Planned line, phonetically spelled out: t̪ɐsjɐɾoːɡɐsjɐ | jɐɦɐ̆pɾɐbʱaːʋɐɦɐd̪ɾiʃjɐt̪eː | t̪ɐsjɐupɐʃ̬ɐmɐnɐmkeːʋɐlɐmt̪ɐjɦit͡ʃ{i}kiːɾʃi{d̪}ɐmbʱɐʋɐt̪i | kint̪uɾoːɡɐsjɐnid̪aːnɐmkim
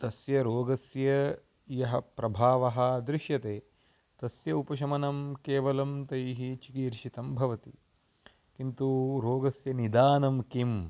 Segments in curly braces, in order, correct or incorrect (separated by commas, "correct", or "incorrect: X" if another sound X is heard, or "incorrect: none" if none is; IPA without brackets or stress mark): correct, incorrect: t̪